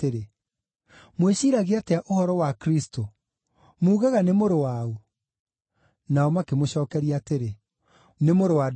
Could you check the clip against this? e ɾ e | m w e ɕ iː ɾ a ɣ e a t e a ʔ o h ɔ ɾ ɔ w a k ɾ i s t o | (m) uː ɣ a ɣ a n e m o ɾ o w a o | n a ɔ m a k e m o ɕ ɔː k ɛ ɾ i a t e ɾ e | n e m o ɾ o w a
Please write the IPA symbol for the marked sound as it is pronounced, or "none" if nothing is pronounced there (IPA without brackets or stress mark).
m